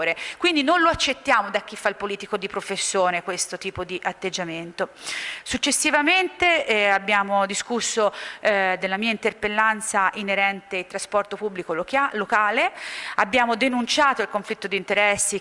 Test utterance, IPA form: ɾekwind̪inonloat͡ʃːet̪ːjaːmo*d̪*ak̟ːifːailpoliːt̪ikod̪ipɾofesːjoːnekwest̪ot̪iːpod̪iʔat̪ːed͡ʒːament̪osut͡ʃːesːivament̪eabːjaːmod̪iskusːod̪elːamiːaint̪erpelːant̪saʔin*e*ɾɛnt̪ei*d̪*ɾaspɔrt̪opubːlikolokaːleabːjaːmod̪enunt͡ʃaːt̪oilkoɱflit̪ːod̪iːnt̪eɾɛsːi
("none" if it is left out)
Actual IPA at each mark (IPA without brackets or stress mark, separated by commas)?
d̪, e, t̪